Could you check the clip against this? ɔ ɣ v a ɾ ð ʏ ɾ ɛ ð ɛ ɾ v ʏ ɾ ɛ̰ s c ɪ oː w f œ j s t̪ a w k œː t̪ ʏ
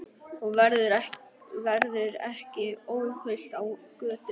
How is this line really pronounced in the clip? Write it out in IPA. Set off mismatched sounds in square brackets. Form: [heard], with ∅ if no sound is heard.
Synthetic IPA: ɔ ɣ v [ɛ] ɾ ð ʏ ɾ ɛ [v] ɛ ɾ [ð] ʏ ɾ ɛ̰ [h] c ɪ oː w [h] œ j s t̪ a w k œː t̪ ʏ